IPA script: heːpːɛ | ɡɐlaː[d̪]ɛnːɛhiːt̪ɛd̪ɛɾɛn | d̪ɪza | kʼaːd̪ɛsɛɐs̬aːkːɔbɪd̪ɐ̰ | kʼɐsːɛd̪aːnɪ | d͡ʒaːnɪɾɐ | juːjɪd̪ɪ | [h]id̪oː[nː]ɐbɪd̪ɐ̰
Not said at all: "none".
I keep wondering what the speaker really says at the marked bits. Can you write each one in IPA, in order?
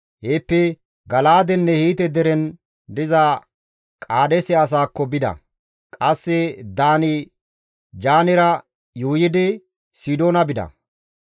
d̪, s, n

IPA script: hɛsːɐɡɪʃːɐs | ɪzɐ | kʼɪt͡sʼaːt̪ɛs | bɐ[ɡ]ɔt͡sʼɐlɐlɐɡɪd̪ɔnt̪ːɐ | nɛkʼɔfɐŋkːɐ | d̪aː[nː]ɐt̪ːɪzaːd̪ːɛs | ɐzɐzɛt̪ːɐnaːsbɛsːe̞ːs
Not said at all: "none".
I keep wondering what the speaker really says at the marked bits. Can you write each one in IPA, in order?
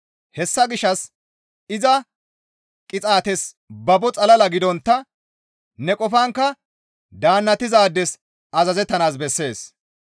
b, nː

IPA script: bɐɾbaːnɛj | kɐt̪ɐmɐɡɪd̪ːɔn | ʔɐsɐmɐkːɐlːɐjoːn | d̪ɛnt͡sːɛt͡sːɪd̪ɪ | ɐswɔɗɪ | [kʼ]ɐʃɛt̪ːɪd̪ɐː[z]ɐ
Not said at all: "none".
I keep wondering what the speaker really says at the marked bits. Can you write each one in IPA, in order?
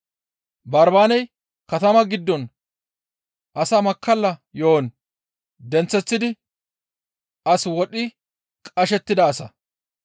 kʼ, s

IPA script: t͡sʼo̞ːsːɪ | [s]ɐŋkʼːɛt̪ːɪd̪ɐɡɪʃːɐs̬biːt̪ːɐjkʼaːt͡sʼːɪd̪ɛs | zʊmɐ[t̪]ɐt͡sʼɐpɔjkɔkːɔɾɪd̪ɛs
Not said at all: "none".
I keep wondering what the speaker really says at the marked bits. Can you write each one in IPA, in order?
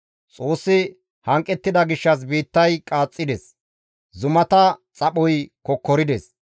h, t̪

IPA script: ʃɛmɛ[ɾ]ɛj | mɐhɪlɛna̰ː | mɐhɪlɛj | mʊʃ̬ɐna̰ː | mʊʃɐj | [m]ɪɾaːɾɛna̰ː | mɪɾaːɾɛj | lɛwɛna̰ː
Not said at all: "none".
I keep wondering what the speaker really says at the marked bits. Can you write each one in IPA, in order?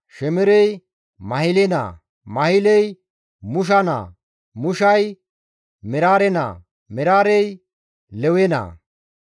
ɾ, m

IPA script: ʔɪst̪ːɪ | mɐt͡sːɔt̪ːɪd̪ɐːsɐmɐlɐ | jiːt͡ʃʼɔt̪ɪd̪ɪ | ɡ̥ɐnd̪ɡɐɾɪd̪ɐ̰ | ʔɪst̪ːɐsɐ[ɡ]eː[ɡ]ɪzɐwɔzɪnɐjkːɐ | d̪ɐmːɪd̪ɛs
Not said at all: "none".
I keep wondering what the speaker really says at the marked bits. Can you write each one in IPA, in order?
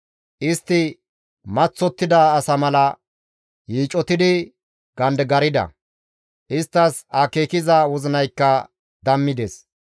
k, k

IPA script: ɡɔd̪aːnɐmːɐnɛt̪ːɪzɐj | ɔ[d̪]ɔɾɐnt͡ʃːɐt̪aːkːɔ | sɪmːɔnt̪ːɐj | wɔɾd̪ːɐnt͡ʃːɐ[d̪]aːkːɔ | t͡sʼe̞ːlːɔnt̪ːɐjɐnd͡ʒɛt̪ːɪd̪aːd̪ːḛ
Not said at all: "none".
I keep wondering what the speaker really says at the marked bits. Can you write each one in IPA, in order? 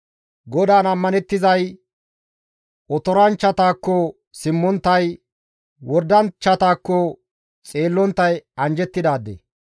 t̪, t̪

